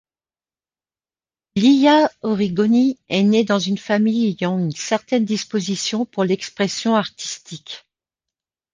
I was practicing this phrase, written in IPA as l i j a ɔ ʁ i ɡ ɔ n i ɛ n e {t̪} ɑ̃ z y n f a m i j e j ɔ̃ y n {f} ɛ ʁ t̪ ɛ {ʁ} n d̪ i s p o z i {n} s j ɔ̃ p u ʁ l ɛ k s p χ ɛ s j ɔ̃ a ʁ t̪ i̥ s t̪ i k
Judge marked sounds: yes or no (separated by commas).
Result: no, no, no, no